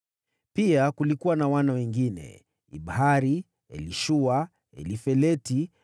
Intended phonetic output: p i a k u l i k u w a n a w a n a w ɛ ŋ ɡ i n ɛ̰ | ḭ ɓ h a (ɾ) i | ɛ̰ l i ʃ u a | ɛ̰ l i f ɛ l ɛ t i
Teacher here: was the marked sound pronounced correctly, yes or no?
yes